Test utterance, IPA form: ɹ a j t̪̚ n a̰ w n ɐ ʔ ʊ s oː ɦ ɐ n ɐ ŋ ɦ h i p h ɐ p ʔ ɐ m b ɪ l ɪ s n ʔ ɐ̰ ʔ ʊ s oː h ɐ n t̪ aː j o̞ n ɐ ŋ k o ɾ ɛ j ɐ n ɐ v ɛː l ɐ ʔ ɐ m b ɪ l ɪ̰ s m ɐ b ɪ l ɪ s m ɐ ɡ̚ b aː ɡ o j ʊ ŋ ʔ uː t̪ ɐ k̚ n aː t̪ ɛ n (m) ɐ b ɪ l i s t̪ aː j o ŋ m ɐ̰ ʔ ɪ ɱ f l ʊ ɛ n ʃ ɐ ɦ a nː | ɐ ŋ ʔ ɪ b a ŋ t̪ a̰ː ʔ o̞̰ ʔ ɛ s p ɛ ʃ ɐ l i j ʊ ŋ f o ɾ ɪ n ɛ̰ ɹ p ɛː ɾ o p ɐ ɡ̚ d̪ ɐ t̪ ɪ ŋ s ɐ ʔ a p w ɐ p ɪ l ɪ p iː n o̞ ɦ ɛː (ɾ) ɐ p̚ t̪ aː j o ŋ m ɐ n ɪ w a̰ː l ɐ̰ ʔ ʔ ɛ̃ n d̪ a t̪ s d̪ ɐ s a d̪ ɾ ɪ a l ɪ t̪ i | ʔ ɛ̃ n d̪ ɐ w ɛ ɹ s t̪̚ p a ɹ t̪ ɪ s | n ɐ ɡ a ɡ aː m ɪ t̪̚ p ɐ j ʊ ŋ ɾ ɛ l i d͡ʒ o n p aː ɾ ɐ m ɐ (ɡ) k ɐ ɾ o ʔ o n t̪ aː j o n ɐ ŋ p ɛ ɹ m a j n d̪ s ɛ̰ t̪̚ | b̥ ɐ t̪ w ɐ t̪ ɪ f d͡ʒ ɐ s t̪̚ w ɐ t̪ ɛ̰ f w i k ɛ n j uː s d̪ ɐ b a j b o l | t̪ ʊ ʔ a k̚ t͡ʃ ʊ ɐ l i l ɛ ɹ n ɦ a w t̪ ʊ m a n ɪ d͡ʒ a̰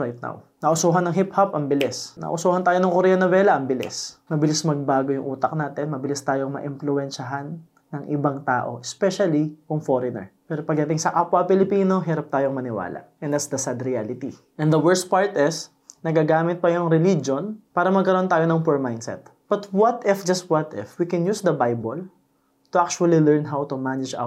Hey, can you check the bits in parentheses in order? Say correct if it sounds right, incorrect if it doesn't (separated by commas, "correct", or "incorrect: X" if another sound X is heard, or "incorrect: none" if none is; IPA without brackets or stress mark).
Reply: correct, correct, correct